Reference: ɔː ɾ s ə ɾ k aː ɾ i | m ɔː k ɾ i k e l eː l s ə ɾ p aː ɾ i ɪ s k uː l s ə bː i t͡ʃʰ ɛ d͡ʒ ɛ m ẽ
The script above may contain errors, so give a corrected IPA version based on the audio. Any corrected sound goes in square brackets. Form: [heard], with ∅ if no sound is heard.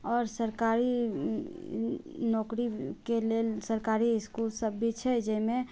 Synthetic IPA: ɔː ɾ s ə ɾ k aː ɾ i | [n] ɔː k ɾ i k e l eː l s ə ɾ [k] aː ɾ i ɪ s k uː l s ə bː i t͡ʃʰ ɛ d͡ʒ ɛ m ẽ